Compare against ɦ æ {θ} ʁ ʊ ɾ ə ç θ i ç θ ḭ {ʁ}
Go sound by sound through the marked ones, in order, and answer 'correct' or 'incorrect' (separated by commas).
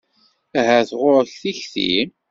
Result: correct, incorrect